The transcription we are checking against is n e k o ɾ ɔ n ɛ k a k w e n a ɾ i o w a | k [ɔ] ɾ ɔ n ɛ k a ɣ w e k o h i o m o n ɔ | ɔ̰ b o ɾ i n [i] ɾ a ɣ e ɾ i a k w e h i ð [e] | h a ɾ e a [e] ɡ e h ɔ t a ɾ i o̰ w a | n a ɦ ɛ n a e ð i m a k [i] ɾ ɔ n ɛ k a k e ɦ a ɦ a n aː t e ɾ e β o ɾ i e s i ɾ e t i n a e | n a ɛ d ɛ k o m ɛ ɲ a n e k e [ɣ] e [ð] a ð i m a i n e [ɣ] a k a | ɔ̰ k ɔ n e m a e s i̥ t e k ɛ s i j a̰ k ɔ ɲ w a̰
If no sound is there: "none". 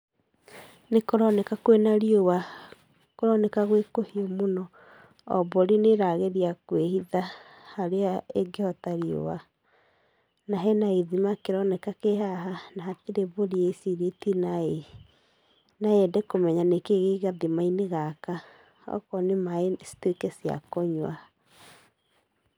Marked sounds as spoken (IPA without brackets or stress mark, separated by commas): o, e, a, e, e, ɣ, ɣ, ɣ